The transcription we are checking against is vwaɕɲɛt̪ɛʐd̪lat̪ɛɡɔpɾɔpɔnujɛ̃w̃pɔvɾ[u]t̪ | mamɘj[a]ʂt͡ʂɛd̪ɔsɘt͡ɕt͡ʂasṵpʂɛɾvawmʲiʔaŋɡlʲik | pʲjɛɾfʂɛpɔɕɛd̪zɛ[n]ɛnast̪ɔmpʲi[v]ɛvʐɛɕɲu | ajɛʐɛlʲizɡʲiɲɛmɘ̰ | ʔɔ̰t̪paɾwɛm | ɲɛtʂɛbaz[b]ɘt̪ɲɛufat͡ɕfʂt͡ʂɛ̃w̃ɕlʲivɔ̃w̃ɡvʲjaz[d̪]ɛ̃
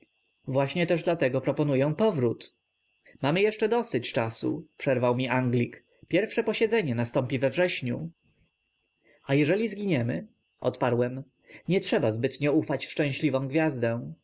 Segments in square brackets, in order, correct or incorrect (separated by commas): correct, incorrect, incorrect, correct, correct, correct